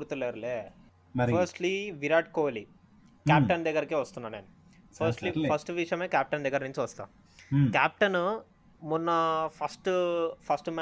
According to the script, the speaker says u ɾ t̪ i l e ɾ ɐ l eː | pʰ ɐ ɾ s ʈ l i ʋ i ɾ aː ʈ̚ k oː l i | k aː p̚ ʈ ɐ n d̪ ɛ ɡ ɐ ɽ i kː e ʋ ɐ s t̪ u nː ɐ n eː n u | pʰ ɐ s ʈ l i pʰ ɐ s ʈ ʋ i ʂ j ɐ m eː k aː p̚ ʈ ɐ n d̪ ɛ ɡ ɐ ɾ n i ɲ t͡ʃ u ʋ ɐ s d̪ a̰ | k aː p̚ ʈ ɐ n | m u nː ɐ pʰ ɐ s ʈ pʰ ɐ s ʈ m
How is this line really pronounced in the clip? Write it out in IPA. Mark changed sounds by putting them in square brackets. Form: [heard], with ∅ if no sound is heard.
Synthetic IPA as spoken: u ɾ t̪ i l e ɾ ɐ l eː | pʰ ɐ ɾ s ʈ l i ʋ i ɾ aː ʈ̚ k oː l i | k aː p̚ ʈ ɐ n d̪ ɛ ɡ ɐ [ɾ] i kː e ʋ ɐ s t̪ u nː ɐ n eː n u | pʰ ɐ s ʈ l i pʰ ɐ s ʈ ʋ i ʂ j ɐ m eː k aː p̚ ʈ ɐ n d̪ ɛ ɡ ɐ ɾ n i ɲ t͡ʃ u ʋ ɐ s [t̪] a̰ | k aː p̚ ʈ ɐ n | m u nː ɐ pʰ ɐ s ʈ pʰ ɐ s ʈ m